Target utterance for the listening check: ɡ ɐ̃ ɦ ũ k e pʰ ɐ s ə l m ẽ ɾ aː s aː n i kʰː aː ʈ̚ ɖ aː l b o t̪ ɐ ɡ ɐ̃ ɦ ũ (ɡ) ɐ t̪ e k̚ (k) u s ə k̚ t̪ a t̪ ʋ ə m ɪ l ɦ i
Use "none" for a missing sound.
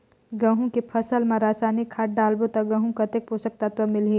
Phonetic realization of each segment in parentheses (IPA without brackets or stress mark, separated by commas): k, p